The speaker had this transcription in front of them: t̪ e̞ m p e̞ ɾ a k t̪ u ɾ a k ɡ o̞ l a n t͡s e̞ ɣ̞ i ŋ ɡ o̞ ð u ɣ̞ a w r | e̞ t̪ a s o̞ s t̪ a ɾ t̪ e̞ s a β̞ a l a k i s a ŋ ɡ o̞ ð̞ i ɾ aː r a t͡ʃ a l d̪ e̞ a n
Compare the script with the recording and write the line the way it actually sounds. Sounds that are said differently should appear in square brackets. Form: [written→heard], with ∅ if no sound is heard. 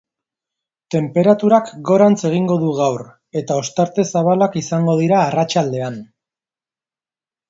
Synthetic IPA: t̪ e̞ m p e̞ ɾ a [k→∅] t̪ u ɾ a k ɡ o̞ [l→ɾ] a n t͡s e̞ ɣ̞ i ŋ ɡ o̞ ð u ɣ̞ a w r | e̞ t̪ a [s→∅] o̞ s t̪ a ɾ t̪ e̞ s a β̞ a l a k i s a ŋ ɡ o̞ ð̞ i ɾ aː r a t͡ʃ a l d̪ e̞ a n